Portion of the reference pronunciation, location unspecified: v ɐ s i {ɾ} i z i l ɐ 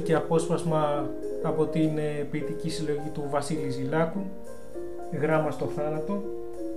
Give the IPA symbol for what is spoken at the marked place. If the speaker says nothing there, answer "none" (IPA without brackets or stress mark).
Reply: l